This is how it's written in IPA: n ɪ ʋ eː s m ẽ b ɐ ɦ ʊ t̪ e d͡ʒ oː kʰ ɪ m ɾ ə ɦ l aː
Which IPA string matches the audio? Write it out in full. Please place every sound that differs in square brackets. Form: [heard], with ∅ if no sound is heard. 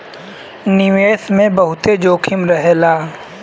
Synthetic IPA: n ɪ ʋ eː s m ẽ b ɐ ɦ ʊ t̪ e d͡ʒ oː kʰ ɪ m ɾ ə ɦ l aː